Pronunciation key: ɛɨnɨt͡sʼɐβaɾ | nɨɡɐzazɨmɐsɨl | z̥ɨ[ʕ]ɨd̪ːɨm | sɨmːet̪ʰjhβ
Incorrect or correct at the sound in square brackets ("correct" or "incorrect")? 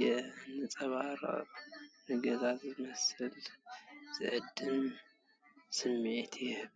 correct